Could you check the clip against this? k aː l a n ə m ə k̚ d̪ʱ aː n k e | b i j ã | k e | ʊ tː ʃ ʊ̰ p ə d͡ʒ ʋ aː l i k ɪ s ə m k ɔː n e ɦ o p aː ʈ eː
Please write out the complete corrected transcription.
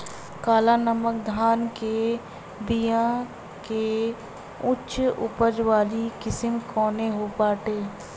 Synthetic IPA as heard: k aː l a n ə m ə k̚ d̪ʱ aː n k e | b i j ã | k e | ʊ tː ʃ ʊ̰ p ə d͡ʒ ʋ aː l i k ɪ s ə m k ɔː n e ɦ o p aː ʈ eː